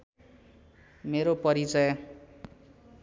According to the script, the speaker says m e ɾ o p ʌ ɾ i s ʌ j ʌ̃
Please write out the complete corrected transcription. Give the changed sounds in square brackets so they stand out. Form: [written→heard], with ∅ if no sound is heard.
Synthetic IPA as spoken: m e ɾ o p ʌ ɾ i [s→t͡s] ʌ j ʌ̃